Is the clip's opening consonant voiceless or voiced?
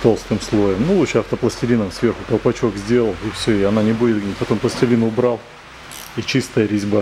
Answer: voiceless